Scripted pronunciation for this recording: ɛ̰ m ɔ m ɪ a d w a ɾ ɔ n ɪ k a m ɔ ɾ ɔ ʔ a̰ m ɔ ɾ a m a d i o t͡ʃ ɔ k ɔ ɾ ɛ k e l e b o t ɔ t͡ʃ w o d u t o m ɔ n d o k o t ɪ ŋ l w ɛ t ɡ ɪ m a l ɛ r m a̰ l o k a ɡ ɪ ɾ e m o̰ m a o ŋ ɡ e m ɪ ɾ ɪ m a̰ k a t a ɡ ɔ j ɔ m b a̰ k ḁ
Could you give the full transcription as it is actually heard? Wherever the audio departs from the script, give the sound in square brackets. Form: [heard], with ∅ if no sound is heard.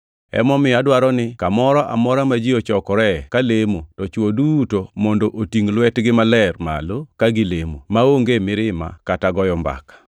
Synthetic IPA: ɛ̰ m ɔ m ɪ a d w a ɾ ɔ n ɪ k a m ɔ ɾ ɔ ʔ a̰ m ɔ ɾ a m a [d͡ʒ] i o t͡ʃ ɔ k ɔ ɾ ɛ k [a] l e [m] o t ɔ t͡ʃ w o d u t o m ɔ n d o [ʔ] o t [i] ŋ l w ɛ t ɡ ɪ m a l ɛ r m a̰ l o k a ɡ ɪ [l] e m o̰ m a o ŋ ɡ e m ɪ ɾ ɪ m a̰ k a t a ɡ ɔ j ɔ m b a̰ k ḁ